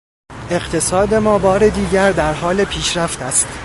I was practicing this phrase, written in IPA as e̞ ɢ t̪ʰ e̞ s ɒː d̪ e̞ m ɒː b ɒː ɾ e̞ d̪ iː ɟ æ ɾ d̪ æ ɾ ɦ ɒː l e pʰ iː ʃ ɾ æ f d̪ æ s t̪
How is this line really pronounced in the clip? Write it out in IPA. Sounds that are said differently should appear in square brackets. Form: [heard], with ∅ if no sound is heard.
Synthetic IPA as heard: e̞ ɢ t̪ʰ e̞ s ɒː d̪ e̞ m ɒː b ɒː ɾ e̞ d̪ iː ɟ æ ɾ d̪ æ ɾ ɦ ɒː l e pʰ iː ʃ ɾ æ f [t̪] æ s t̪